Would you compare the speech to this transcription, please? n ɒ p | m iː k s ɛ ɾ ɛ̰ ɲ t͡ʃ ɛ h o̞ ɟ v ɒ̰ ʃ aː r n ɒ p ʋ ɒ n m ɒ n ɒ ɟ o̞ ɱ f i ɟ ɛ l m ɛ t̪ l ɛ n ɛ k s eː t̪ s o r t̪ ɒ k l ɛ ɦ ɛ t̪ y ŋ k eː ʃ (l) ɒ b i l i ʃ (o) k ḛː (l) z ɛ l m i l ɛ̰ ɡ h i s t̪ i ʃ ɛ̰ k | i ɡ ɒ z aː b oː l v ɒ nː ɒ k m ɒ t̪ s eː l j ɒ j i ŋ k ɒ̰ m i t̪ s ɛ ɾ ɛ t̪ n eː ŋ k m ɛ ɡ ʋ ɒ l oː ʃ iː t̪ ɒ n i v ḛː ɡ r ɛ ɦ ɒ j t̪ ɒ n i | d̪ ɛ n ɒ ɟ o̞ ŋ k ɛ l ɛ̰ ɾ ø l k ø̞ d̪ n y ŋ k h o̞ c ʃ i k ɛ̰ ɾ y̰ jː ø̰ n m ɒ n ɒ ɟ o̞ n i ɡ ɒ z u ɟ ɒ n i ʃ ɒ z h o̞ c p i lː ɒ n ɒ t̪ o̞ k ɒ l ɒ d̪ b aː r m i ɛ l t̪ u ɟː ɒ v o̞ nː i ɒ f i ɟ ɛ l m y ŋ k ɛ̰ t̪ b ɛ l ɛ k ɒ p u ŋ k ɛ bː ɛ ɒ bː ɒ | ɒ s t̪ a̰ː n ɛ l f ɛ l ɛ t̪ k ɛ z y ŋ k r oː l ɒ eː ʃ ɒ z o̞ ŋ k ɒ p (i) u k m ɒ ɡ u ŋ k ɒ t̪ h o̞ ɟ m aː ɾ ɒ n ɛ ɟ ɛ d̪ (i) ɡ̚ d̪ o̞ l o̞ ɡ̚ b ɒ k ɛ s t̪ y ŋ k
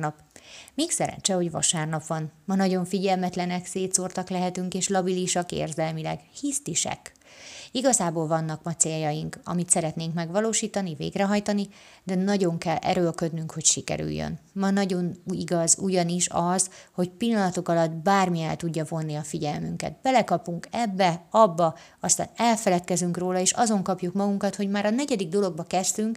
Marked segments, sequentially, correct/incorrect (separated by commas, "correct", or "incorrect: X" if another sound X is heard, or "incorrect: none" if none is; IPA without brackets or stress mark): correct, incorrect: ɒ, incorrect: r, incorrect: j, correct